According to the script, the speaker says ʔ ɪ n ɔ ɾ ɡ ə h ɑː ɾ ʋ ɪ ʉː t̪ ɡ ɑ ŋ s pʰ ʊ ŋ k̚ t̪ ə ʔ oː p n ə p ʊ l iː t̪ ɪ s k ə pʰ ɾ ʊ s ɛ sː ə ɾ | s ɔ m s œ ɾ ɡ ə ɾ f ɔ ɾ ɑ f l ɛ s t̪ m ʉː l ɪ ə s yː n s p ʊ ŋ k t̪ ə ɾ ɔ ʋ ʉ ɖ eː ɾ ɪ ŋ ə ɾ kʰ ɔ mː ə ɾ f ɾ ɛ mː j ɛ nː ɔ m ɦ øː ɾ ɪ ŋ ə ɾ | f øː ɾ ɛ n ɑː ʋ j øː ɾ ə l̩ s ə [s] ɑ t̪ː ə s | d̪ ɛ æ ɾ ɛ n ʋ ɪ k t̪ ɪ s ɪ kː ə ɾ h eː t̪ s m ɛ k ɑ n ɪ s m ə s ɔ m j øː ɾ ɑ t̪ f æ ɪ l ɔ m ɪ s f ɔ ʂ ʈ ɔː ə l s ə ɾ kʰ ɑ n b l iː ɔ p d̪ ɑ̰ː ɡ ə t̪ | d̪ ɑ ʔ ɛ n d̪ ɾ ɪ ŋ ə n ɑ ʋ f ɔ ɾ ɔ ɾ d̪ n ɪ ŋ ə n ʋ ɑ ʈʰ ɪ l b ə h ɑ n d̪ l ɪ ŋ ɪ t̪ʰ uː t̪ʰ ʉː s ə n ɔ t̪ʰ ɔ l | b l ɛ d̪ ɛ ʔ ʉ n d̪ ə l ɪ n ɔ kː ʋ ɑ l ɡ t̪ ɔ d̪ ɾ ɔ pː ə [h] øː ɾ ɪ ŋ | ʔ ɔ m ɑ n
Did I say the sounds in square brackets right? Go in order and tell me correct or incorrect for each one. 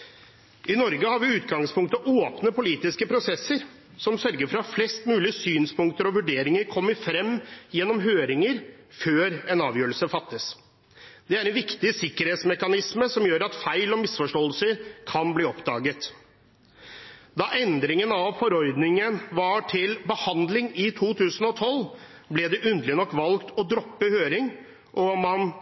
incorrect: f, correct

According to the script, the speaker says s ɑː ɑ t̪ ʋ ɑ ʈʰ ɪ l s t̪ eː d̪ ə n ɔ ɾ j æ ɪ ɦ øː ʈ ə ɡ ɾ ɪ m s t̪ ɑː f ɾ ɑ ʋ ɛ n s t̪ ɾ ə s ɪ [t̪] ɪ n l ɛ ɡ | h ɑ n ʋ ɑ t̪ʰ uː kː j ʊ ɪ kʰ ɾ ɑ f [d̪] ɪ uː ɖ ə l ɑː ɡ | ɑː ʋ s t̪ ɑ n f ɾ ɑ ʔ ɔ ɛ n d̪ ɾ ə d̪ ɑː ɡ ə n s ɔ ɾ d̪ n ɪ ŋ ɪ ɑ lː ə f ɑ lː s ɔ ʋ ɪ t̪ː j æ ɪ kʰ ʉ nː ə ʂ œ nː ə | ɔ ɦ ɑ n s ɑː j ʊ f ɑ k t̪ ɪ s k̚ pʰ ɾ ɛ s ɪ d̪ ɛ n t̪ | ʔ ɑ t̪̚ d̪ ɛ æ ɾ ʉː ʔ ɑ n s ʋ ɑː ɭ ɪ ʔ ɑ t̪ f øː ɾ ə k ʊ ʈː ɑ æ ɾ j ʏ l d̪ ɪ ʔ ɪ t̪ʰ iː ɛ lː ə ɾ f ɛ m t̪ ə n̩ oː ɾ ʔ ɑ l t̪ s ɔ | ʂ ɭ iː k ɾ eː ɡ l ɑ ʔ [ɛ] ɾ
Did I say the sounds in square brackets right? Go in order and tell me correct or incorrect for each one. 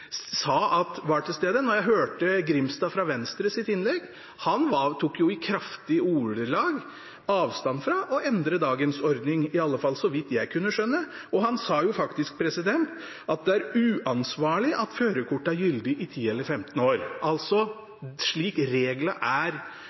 correct, incorrect: t̪, incorrect: æ

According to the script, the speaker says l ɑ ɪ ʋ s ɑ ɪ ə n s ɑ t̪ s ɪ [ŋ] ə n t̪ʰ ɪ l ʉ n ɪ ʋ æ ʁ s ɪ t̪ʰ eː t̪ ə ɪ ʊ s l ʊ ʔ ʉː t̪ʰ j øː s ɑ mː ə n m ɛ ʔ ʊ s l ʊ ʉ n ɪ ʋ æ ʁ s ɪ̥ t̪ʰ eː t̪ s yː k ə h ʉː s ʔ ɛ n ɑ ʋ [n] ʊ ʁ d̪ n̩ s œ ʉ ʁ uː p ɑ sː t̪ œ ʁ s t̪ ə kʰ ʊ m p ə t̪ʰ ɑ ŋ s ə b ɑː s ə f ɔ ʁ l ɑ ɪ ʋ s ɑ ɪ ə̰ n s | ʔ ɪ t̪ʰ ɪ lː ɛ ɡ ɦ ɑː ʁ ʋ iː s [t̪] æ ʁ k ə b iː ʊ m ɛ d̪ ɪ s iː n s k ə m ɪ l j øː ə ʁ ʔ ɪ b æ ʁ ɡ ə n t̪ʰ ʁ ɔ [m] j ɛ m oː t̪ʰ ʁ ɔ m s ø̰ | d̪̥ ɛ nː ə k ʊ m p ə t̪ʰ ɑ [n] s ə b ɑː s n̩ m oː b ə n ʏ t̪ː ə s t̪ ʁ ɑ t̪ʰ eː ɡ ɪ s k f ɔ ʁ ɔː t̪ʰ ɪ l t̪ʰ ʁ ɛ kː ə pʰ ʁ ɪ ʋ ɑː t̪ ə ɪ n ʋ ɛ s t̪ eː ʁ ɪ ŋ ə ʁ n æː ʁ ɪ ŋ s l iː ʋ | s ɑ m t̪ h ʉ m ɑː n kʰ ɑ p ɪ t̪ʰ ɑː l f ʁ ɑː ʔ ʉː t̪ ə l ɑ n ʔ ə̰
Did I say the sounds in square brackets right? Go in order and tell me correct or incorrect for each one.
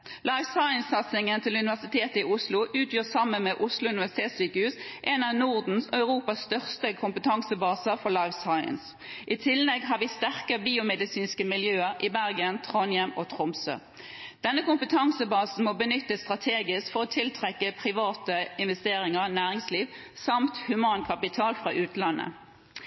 correct, correct, correct, incorrect: n, incorrect: ŋ

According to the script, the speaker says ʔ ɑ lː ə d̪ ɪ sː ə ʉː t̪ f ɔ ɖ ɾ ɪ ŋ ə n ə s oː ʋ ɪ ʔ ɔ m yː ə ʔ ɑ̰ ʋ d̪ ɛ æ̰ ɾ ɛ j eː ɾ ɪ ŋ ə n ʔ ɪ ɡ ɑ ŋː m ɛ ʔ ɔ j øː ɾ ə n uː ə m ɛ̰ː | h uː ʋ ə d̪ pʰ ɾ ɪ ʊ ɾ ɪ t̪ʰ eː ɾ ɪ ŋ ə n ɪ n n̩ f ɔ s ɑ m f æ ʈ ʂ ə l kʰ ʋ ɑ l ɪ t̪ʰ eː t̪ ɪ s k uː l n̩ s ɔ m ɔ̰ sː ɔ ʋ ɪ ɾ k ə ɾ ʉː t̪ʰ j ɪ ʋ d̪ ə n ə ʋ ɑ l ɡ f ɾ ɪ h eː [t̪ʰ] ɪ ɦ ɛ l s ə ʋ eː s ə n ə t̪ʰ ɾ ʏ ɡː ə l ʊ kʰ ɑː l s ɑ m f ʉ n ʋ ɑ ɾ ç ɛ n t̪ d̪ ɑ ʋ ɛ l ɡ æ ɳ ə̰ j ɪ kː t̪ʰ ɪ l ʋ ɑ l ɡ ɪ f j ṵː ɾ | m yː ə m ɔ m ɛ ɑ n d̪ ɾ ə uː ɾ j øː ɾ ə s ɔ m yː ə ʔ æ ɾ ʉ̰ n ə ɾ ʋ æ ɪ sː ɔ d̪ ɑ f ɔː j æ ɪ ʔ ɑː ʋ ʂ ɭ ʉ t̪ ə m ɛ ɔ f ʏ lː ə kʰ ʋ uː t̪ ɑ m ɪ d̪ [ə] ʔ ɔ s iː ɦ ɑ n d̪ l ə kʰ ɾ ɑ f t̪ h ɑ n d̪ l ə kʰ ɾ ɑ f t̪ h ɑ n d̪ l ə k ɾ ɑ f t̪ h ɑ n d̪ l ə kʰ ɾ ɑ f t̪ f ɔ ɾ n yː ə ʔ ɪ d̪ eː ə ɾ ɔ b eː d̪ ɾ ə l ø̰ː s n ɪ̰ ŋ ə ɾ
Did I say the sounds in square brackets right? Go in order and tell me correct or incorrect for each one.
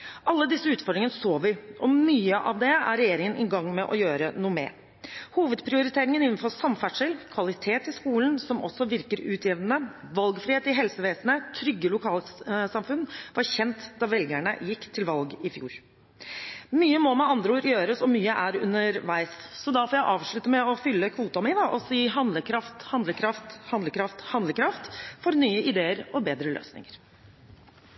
incorrect: t̪, incorrect: ɑ

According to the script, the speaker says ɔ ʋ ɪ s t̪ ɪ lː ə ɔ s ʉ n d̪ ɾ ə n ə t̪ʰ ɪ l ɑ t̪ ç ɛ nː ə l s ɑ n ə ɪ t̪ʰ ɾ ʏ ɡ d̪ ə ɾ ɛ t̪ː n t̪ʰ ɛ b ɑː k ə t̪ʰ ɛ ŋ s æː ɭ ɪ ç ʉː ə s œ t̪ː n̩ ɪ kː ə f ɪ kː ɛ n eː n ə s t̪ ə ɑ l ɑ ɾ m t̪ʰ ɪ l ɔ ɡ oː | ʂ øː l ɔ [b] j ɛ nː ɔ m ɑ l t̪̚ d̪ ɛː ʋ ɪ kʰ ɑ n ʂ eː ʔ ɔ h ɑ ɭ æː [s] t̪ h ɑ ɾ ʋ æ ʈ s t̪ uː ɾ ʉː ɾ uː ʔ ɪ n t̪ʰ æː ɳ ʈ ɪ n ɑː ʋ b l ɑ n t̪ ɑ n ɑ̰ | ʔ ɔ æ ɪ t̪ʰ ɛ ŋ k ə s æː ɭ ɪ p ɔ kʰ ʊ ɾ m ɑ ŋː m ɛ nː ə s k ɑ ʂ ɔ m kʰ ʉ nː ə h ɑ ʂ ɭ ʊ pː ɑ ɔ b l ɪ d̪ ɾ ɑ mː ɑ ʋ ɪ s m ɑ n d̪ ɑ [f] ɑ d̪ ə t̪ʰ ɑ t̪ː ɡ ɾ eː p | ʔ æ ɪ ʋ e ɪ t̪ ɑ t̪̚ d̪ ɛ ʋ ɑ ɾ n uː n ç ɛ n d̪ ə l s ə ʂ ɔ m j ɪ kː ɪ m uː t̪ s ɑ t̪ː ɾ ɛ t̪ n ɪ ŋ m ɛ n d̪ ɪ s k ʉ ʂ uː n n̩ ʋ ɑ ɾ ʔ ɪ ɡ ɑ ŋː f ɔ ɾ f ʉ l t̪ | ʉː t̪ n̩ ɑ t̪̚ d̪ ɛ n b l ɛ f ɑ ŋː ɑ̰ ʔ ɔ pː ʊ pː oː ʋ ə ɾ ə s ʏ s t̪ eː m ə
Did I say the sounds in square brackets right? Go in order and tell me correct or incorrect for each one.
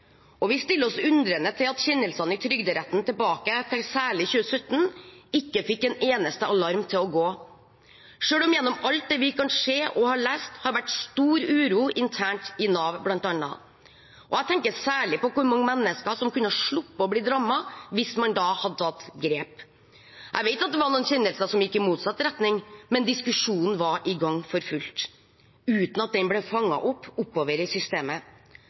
incorrect: m, correct, incorrect: h

